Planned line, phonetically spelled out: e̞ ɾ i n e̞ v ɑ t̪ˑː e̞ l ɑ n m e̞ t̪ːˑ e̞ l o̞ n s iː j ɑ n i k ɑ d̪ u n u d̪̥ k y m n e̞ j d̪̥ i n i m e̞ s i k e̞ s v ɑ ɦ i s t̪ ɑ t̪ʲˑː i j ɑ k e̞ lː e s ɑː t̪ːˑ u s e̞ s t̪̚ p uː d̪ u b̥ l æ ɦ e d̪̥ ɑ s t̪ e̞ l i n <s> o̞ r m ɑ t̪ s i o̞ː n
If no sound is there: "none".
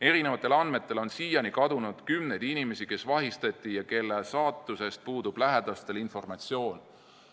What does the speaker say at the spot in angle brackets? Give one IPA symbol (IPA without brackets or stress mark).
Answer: f